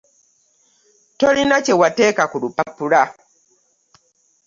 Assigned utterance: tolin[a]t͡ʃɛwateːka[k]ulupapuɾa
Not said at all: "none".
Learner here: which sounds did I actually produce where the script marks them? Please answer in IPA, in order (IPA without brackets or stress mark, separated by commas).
a, k